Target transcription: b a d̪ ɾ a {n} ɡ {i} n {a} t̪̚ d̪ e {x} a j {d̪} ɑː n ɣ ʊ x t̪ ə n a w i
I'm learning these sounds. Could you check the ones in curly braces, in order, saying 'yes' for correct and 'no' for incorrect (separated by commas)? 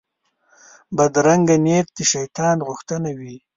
no, no, no, no, no